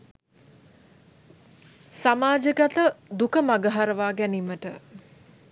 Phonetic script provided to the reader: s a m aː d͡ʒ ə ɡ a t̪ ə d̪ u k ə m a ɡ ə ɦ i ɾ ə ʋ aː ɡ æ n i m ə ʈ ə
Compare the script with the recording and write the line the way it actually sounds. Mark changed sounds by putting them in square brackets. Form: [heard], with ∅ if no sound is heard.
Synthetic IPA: s a m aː d͡ʒ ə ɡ a t̪ ə d̪ u k ə m a ɡ ə ɦ [a] ɾ ə ʋ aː ɡ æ n i m ə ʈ ə